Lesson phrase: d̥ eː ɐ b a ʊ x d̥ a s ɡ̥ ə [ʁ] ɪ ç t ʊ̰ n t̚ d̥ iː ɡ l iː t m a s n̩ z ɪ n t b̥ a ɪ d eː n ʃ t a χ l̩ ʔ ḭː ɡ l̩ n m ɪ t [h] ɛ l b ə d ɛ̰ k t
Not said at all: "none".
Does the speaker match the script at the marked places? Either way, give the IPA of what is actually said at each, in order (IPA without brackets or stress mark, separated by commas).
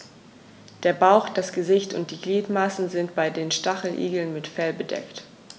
z, f